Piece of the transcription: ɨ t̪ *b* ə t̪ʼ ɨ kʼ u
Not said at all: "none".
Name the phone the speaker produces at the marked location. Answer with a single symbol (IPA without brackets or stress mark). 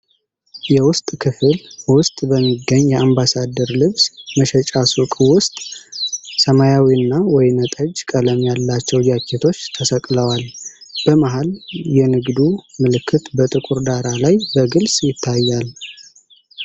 b